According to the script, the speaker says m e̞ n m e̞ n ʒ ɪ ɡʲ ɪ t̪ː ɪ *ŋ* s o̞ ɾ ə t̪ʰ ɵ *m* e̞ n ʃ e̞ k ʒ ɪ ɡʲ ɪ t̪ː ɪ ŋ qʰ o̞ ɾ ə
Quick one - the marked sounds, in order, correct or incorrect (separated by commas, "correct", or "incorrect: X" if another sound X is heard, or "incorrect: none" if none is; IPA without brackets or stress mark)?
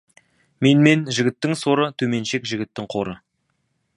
correct, correct